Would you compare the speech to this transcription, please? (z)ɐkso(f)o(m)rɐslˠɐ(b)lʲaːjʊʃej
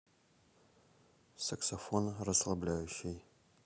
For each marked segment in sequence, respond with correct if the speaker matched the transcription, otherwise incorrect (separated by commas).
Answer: incorrect, correct, incorrect, correct